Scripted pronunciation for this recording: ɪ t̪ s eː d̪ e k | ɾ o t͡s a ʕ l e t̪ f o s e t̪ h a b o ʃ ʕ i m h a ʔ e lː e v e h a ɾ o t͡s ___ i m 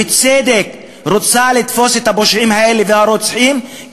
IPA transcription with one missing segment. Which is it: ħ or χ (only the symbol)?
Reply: ħ